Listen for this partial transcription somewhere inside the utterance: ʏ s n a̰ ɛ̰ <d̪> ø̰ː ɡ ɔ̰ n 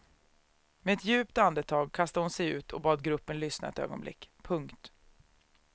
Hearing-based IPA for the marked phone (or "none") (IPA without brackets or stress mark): t̪